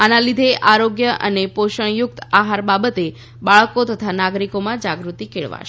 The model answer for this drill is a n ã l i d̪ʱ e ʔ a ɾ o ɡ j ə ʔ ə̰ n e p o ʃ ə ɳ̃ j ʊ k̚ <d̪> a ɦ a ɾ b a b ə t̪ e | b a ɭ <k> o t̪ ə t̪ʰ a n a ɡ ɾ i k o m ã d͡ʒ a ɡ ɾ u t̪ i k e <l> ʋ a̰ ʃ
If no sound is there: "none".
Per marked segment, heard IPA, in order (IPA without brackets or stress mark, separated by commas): t̪, k, ɭ